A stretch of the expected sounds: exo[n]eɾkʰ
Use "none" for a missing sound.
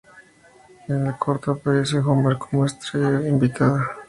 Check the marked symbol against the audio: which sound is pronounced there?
m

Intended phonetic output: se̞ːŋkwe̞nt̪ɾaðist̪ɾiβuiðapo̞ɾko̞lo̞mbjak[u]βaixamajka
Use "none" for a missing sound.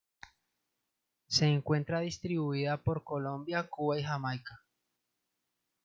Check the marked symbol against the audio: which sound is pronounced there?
u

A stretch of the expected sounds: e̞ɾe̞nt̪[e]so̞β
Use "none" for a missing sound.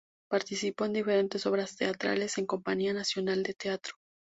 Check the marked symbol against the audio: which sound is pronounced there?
e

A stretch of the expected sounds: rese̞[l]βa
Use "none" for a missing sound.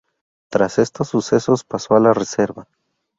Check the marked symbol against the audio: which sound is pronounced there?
ɾ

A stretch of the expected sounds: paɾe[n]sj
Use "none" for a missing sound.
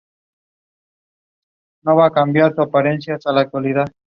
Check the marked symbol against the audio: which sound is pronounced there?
n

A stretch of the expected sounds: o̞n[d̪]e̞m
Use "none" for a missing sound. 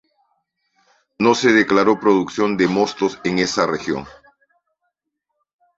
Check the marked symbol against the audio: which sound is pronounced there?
d̪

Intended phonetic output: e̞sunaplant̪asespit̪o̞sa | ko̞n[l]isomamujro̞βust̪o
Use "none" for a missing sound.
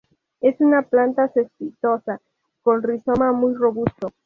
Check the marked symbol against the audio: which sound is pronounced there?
r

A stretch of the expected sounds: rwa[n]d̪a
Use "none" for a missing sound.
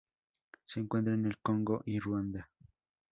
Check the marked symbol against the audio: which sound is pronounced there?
n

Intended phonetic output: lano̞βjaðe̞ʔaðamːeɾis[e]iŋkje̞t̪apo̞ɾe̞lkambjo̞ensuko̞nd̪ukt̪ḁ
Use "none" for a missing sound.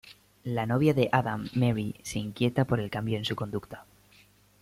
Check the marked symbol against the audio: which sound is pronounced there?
e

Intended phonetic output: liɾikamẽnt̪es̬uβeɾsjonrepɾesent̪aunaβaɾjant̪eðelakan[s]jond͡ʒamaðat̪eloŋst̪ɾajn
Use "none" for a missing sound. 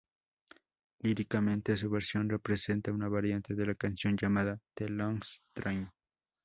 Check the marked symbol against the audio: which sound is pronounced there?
s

